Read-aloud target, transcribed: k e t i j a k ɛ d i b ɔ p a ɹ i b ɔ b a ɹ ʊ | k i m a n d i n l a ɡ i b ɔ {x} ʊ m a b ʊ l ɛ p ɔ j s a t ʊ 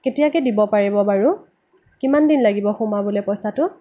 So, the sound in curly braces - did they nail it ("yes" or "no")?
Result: yes